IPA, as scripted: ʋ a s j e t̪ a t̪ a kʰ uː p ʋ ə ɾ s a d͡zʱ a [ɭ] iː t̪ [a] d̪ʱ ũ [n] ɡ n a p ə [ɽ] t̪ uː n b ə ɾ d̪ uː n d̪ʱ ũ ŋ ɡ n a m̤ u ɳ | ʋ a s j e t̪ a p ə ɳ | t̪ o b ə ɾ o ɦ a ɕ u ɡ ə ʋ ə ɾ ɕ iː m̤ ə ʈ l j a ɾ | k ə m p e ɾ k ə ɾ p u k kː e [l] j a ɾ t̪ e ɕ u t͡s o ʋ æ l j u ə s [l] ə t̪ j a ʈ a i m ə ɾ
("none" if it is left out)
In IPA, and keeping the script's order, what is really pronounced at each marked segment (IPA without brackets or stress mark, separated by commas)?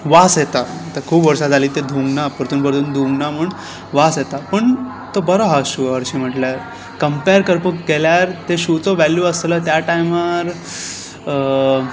l, e, ŋ, ɾ, l, l